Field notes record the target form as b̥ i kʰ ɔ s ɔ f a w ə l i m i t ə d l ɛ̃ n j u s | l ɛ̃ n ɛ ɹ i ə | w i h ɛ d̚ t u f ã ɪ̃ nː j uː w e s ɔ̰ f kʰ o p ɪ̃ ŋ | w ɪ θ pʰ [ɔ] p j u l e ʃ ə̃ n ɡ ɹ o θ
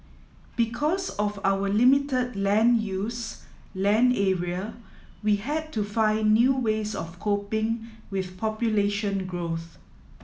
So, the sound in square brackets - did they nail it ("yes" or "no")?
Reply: yes